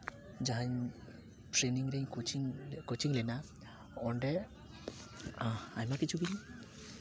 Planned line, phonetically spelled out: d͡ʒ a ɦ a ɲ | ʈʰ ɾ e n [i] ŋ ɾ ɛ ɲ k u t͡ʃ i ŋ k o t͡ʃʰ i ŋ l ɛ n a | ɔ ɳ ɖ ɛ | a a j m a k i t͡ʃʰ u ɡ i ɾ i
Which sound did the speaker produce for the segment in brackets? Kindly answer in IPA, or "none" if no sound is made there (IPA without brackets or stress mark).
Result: i